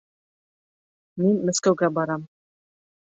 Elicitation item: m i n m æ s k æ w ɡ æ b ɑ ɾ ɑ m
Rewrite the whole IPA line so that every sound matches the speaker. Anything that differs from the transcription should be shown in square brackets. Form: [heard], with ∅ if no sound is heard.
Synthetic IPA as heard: m i n m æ s k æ w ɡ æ b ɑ ɾ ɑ m